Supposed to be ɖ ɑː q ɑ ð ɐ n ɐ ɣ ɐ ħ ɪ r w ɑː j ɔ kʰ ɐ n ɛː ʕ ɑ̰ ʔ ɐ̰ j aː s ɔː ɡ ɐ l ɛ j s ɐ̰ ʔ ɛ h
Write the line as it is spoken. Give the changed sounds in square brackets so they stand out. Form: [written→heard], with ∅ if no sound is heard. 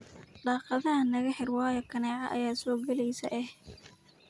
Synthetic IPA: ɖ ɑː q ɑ ð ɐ n ɐ ɣ ɐ ħ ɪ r w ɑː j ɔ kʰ ɐ n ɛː ʕ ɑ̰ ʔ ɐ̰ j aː s ɔː ɡ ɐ l ɛ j s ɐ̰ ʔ ɛ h